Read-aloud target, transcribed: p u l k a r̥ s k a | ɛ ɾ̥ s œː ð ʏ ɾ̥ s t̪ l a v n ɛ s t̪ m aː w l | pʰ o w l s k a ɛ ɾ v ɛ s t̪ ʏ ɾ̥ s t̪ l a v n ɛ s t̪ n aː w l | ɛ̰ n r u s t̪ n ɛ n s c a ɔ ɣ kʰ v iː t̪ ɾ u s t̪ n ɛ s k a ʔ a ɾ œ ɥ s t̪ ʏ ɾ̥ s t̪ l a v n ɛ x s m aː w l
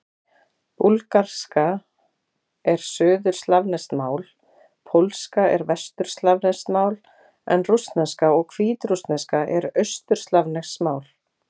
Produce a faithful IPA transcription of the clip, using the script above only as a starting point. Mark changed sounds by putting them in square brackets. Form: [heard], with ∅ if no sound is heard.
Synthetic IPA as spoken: p u l k a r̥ s k a | ɛ ɾ̥ s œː ð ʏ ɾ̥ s t̪ l a v n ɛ s t̪ m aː w l | pʰ o w l s k a ɛ ɾ v ɛ s t̪ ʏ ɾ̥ s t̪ l a v n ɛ s t̪ [m] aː w l | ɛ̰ n r u s t̪ n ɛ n s [k] a ɔ ɣ kʰ v iː t̪ ɾ u s t̪ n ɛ s k a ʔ [ɛ] ɾ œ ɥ s t̪ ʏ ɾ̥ s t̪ l a v n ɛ x s m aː w l